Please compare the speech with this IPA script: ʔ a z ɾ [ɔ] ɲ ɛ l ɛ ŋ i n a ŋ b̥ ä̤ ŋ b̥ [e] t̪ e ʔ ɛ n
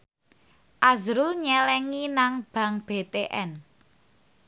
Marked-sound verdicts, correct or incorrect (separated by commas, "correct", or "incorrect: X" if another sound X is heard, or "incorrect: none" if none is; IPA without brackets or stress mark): incorrect: u, correct